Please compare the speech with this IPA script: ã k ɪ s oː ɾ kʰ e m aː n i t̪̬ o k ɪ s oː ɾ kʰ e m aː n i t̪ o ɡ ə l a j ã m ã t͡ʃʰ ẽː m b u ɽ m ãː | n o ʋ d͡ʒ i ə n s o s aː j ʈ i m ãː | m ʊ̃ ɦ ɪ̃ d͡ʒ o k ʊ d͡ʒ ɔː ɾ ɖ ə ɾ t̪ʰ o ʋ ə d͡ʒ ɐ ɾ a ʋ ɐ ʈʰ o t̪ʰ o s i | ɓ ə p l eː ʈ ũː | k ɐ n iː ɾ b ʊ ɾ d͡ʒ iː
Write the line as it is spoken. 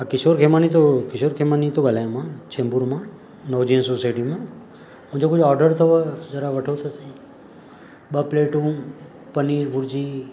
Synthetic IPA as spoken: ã k ɪ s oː ɾ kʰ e m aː n i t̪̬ o k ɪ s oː ɾ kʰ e m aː n i t̪ o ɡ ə l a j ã m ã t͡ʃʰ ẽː m b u ɾ m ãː | n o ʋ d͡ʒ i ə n s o s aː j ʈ i m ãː | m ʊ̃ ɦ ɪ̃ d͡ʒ o k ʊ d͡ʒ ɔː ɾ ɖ ə ɾ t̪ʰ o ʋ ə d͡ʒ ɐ ɾ a ʋ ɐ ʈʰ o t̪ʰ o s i | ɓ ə p l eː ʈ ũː | p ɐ n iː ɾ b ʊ ɾ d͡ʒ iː